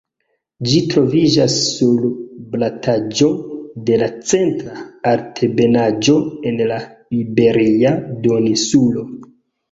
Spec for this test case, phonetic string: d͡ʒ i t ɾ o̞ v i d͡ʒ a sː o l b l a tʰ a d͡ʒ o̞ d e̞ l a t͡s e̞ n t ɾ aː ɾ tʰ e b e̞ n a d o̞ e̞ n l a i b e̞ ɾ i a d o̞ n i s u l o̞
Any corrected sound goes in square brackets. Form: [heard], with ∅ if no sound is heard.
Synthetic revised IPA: d͡ʒ i t ɾ o̞ v i d͡ʒ a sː [u] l b l a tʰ a d͡ʒ o̞ d e̞ l a t͡s e̞ n t ɾ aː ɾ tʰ e b e̞ n a [d͡ʒ] o̞ e̞ n l a i b e̞ ɾ i a d o̞ n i s u l o̞